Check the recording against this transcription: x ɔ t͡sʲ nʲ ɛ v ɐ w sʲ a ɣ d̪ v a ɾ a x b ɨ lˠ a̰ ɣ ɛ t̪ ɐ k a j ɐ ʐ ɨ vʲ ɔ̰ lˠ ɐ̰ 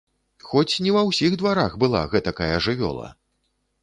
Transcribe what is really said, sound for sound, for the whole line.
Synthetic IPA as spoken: x ɔ t͡sʲ nʲ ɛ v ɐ w sʲ i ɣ d̪ v a ɾ a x b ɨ lˠ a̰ ɣ ɛ t̪ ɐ k a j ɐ ʐ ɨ vʲ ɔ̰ lˠ ɐ̰